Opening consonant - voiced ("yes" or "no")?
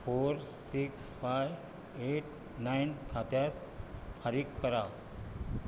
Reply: no